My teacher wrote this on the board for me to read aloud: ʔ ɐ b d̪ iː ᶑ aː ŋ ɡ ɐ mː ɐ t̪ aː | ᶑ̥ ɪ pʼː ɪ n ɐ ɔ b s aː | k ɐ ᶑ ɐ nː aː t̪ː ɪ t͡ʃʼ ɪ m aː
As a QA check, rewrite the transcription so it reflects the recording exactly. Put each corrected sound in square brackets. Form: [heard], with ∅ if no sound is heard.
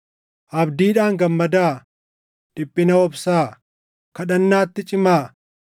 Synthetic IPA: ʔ ɐ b d̪ iː ᶑ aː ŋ ɡ ɐ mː ɐ [d̪] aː | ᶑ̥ ɪ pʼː ɪ n ɐ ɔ b s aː | k ɐ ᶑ ɐ nː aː t̪ː ɪ t͡ʃʼ ɪ m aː